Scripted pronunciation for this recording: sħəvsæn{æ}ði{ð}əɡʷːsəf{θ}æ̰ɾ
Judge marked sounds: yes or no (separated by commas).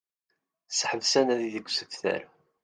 yes, yes, yes